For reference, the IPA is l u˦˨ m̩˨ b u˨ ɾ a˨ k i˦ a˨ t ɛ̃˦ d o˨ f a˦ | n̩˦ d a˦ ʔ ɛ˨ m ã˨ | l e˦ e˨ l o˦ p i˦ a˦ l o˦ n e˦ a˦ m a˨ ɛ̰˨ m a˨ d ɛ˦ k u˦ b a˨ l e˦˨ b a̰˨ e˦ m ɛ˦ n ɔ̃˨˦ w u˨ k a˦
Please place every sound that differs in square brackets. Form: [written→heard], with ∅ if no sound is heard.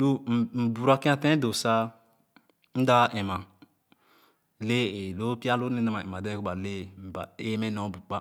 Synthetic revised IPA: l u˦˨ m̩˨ b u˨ ɾ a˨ k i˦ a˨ t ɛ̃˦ d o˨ [f→s] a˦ | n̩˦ d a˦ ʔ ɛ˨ m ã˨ | l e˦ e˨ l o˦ p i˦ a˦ l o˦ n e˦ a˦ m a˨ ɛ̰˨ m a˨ d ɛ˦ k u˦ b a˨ l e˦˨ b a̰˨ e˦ m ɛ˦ n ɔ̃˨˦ [w→b] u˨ [k→k͡p] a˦